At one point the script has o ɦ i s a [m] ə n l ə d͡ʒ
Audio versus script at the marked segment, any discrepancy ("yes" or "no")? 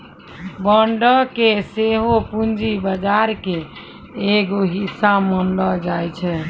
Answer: no